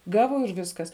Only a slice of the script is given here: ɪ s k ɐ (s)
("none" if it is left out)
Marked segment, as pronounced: s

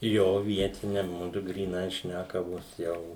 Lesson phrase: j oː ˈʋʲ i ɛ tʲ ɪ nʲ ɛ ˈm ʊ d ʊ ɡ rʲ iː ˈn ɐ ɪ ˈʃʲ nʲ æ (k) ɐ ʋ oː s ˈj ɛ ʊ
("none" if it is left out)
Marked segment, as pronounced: k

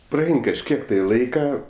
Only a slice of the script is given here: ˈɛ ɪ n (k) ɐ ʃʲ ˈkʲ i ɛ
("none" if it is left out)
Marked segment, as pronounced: k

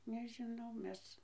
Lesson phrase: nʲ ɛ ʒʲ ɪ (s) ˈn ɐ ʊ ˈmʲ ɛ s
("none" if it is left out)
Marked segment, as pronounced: none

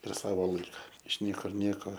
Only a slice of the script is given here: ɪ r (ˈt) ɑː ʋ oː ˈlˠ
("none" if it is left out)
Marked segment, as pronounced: s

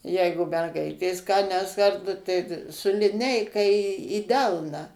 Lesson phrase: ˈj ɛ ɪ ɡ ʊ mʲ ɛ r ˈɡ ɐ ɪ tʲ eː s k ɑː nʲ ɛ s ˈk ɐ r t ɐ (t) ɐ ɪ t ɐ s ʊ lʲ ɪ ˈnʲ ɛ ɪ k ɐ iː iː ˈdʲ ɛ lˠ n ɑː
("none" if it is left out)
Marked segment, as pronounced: t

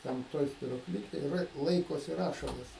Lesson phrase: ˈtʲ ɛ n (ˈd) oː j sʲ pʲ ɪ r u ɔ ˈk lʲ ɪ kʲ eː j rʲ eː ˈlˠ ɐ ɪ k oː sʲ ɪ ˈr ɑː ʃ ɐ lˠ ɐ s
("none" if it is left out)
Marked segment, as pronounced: t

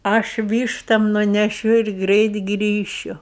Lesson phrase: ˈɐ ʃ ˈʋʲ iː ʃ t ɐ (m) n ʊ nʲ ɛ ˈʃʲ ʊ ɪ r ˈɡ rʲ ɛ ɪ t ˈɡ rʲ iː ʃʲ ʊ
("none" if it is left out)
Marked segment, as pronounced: m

